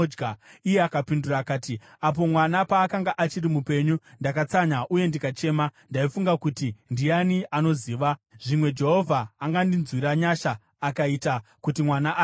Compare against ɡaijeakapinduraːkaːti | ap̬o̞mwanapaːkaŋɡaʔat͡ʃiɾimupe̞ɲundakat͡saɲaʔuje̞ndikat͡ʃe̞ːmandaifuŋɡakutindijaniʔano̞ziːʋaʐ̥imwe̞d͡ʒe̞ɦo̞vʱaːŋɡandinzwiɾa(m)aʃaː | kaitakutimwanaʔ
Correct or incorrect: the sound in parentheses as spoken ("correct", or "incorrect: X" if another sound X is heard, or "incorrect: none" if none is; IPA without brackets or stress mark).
incorrect: ɲ